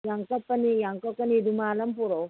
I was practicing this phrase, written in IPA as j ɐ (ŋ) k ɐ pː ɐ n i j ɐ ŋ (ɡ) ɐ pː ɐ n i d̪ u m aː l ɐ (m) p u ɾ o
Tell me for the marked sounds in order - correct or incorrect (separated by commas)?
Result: correct, incorrect, correct